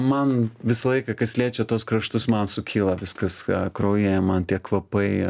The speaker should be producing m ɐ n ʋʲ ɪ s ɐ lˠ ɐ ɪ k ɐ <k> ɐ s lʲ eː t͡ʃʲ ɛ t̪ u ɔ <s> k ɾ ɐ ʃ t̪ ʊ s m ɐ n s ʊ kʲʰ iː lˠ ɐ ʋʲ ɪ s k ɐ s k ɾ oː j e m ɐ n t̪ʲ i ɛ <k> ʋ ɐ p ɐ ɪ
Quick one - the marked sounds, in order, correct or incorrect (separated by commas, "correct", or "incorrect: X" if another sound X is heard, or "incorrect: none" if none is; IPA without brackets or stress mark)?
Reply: correct, correct, correct